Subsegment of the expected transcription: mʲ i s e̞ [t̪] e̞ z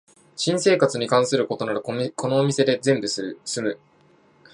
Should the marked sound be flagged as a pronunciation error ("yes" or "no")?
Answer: yes